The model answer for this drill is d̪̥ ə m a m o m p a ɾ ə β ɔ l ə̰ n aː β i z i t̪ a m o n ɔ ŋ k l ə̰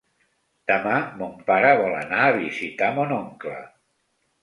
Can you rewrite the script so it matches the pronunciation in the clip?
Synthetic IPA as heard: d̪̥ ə m a m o m p a ɾ ə β ɔ l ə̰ n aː β i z i t̪ a m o n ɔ ŋ k l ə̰